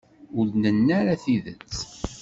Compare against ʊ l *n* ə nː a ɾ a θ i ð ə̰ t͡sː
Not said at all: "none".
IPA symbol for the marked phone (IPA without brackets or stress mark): n